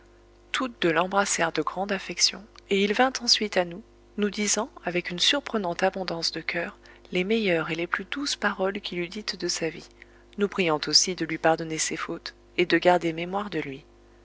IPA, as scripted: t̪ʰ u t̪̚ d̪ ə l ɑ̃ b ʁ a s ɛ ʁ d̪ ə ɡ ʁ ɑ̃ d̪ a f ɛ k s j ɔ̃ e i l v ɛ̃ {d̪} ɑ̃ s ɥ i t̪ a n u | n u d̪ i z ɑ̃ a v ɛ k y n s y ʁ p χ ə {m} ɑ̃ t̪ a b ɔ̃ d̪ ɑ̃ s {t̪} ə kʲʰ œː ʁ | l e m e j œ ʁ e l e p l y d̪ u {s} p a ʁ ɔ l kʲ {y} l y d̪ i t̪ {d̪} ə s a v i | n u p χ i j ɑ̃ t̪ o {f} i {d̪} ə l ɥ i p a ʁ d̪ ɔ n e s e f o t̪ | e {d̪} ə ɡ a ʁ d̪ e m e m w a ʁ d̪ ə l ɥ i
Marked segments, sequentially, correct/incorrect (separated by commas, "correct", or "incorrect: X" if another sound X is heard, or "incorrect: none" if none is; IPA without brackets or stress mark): incorrect: t̪, incorrect: n, incorrect: d̪, correct, incorrect: i, correct, incorrect: s, correct, correct